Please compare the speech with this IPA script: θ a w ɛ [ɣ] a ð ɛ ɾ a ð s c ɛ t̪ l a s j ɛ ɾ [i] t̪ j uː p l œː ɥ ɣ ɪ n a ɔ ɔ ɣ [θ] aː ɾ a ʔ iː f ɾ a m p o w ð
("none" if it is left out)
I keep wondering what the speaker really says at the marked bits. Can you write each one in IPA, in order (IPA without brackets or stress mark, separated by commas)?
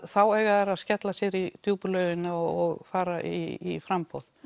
ɣ, i, f